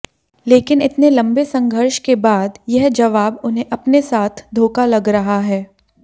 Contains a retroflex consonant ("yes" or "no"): no